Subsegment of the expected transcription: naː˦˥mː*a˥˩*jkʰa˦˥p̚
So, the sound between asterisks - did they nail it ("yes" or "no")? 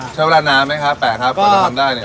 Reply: no